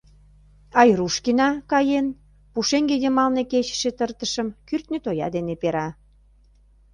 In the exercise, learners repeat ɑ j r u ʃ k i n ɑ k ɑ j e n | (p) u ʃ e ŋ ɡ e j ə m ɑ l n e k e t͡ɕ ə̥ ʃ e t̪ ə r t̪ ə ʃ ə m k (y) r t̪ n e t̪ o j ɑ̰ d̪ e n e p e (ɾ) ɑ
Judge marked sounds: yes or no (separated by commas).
yes, yes, yes